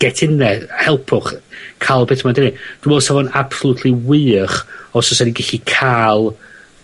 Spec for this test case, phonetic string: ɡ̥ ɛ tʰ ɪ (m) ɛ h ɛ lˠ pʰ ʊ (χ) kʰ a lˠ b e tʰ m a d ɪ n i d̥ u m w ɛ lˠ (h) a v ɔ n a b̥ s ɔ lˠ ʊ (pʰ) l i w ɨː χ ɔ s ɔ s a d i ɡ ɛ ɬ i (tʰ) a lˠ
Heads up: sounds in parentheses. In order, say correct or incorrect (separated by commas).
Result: incorrect, correct, incorrect, incorrect, incorrect